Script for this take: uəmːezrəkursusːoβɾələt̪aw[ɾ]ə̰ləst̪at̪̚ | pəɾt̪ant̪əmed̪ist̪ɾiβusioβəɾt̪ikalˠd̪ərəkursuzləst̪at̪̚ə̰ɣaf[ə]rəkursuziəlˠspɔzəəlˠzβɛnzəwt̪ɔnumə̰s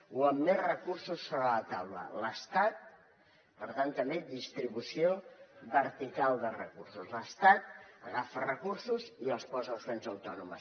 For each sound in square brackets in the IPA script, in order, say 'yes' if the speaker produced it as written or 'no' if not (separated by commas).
no, yes